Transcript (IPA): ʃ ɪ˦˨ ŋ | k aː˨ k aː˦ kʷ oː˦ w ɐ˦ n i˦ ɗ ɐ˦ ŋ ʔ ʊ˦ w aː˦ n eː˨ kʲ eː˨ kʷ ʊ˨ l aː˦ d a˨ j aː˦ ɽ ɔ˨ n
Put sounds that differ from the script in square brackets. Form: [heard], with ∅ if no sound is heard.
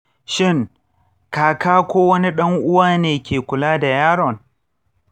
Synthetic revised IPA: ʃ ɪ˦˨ ŋ | k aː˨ k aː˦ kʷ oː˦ w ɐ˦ n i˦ ɗ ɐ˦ ŋ ʔ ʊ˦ w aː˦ n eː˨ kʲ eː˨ kʷ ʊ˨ l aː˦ d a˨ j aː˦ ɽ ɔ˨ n